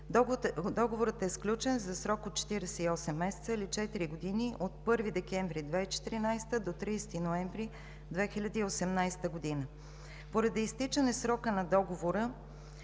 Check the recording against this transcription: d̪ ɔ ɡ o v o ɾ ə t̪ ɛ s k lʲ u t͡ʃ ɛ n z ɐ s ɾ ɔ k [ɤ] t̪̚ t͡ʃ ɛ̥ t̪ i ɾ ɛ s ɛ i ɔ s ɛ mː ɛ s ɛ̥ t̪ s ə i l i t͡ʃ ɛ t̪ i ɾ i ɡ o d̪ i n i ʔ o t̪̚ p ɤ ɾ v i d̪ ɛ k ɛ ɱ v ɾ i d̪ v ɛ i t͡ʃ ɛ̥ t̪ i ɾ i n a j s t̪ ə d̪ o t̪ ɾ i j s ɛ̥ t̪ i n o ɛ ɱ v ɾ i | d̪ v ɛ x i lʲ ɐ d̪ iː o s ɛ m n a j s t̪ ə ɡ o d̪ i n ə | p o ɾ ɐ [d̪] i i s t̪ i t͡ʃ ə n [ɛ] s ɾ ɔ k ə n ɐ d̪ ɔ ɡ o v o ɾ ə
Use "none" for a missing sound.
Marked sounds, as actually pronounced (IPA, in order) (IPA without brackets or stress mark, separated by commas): o, d̪, ɛ